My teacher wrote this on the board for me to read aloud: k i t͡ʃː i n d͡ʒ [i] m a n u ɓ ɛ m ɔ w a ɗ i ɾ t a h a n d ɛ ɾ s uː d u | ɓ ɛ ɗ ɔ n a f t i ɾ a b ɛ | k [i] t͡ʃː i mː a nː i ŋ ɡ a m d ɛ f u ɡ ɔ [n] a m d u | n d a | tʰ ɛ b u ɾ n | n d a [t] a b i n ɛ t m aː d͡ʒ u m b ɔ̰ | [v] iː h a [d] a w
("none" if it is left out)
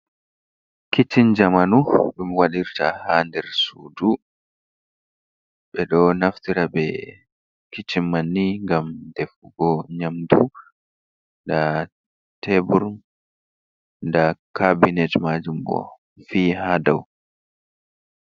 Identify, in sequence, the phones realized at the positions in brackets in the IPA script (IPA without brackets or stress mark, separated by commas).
a, i, ɲ, k, f, d